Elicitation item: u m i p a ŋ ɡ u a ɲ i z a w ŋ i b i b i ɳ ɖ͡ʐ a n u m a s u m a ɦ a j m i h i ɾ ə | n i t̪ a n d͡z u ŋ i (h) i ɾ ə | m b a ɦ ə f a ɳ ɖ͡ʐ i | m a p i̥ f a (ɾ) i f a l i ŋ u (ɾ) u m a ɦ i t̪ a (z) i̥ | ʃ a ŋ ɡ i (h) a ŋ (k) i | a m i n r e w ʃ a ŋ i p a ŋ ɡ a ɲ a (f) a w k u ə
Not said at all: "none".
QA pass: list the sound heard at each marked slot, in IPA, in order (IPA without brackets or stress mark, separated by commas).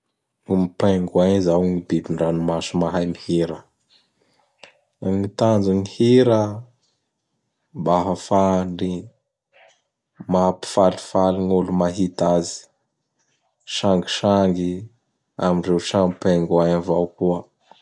h, l, l, z, ʃ, ɡ, v